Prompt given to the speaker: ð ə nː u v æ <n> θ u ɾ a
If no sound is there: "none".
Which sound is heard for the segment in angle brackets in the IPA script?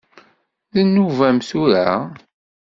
m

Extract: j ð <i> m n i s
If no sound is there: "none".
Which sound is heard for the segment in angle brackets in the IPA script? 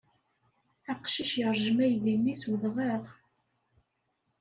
i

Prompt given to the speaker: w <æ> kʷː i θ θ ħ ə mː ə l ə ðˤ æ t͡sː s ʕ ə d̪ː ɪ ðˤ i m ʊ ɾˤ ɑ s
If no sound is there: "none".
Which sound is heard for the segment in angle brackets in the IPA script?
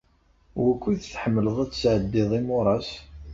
æ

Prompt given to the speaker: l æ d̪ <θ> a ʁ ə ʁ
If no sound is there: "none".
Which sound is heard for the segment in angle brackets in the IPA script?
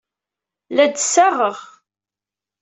s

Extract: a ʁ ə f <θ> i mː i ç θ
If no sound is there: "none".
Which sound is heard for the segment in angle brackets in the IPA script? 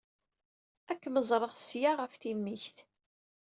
θ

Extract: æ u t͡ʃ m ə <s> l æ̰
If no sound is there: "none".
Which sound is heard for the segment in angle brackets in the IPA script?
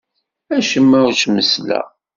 s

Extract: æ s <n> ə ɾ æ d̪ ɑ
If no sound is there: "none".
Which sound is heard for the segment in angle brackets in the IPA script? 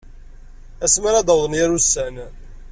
m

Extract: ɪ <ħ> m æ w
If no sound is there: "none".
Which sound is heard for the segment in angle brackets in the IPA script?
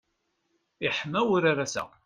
ħ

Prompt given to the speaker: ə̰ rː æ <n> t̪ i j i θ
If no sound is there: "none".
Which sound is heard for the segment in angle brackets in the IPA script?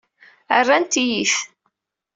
n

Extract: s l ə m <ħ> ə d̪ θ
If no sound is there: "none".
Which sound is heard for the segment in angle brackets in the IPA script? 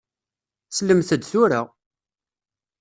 θ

